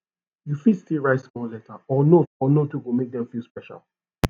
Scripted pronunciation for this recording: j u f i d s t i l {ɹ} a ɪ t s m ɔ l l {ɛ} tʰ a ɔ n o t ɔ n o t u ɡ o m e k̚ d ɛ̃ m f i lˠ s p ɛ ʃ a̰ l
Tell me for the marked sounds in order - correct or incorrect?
correct, correct

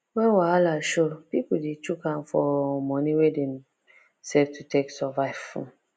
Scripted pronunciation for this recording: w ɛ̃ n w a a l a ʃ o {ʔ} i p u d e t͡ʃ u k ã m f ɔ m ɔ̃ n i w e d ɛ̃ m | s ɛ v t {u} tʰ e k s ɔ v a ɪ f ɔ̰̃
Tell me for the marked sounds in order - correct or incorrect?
incorrect: p, correct

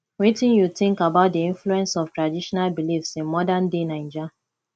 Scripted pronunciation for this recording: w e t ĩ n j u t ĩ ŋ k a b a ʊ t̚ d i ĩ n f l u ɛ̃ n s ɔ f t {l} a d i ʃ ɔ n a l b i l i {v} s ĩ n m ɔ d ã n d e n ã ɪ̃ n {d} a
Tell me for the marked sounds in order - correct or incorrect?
incorrect: ɹ, incorrect: f, incorrect: d͡ʒ

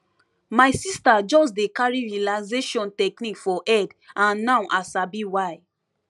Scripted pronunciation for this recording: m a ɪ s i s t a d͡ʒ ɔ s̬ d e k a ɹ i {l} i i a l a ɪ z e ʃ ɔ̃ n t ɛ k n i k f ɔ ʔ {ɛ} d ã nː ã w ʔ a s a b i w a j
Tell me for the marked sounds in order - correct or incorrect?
incorrect: ɹ, correct

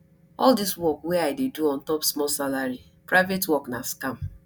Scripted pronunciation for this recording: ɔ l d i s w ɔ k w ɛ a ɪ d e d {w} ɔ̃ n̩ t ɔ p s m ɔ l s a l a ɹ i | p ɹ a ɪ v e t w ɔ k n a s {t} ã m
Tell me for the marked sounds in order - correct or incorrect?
incorrect: u, incorrect: k

